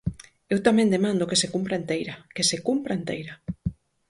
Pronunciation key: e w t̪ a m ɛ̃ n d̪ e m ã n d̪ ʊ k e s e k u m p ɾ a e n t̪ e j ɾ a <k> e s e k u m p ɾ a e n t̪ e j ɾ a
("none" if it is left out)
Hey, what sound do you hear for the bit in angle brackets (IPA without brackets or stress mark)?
k